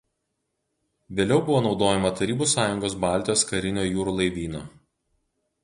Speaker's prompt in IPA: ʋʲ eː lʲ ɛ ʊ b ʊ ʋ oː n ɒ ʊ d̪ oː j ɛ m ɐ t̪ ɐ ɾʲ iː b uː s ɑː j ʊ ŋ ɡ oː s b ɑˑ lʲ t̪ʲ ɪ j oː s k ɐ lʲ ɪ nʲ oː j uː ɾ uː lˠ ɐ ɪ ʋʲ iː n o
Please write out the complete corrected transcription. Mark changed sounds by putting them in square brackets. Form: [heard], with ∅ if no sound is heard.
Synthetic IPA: ʋʲ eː lʲ ɛ ʊ b ʊ ʋ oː n ɒ ʊ d̪ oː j ɛ m ɐ t̪ ɐ ɾʲ iː b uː s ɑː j ʊ ŋ ɡ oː s b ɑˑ lʲ t̪ʲ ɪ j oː s k ɐ [ɾʲ] ɪ nʲ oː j uː ɾ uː lˠ ɐ ɪ ʋʲ iː n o